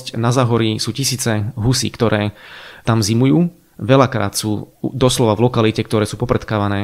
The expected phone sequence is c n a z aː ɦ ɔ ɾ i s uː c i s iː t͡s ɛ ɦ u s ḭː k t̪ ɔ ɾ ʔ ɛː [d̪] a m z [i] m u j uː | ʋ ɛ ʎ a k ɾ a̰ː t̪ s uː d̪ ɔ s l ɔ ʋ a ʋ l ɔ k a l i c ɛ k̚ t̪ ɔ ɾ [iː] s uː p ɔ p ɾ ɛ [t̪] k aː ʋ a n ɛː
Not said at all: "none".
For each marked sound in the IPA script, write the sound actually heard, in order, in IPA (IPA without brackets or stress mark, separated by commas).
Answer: t̪, i, ɛː, t̪